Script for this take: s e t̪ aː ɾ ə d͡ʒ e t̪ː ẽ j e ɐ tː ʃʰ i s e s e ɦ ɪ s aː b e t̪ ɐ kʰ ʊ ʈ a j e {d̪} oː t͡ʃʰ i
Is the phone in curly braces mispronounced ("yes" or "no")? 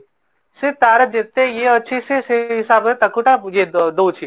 no